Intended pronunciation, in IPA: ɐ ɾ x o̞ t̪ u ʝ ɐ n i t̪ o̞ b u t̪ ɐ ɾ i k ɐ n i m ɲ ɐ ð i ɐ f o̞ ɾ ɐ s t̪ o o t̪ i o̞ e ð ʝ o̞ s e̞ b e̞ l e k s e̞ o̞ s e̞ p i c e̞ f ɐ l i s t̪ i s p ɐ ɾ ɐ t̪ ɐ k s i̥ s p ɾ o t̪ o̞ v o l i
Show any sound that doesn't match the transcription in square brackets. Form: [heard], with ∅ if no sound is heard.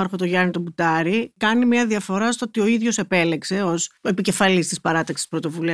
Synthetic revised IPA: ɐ ɾ x o̞ t̪ [o] ʝ ɐ n i t̪ o̞ b u t̪ ɐ ɾ i k ɐ n i m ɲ ɐ ð i ɐ f o̞ ɾ ɐ s t̪ o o t̪ i o̞ [i] ð ʝ o̞ s e̞ [p] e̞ l e k s e̞ o̞ s e̞ p i c e̞ f ɐ l i s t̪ i s p ɐ ɾ ɐ t̪ ɐ k s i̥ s p ɾ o t̪ o̞ v [u] l i